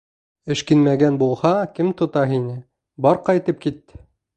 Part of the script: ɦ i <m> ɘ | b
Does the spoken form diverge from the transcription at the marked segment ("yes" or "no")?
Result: yes